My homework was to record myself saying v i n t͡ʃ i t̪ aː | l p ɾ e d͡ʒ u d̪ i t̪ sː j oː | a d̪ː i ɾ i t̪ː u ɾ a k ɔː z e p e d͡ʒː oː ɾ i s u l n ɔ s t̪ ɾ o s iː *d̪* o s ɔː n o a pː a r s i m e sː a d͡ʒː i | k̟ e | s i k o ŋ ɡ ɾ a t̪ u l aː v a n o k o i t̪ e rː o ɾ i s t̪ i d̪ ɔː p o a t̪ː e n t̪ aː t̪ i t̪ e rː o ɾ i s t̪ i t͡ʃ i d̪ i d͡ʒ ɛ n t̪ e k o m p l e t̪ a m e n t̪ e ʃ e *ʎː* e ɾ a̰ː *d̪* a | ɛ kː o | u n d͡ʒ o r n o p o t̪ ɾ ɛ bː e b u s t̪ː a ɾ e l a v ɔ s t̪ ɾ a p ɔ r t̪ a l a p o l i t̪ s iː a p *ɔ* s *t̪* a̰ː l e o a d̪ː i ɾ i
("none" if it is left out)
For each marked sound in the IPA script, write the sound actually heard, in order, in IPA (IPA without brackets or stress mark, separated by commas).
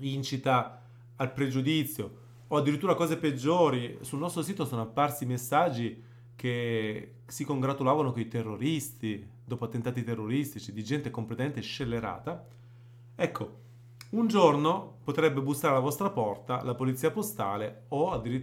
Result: t̪, lː, t̪, o, t̪